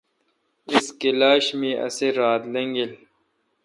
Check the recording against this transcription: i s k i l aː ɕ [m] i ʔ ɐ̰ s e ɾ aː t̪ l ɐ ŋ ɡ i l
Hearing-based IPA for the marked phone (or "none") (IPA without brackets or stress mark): m